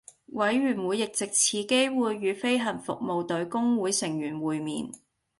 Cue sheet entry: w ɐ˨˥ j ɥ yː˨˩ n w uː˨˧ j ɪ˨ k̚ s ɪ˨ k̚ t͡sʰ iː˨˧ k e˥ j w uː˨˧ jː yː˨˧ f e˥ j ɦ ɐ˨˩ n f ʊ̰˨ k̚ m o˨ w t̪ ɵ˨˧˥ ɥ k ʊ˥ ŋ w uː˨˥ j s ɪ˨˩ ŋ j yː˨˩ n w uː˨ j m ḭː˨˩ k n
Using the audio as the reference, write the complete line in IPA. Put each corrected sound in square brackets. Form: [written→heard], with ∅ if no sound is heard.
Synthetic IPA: w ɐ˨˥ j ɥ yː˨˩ n w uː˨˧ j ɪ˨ k̚ [s→t͡s] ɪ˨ k̚ t͡sʰ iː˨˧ k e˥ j w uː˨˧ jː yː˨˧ f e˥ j ɦ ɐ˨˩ n f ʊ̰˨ k̚ m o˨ w t̪ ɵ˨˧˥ ɥ k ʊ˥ ŋ w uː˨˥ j s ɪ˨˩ ŋ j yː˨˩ n w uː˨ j m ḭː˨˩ [k→∅] n